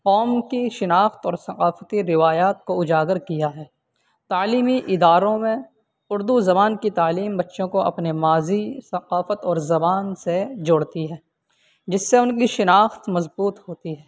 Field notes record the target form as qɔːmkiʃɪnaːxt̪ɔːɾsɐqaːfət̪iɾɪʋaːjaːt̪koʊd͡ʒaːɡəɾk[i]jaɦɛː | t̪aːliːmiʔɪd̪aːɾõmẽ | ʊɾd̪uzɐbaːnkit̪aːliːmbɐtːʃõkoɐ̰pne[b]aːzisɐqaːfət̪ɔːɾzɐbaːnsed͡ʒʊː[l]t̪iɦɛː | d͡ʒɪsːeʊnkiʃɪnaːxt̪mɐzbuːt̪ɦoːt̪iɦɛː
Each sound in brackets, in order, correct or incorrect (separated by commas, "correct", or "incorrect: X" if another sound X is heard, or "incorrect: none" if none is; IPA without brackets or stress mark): correct, incorrect: m, incorrect: ɽ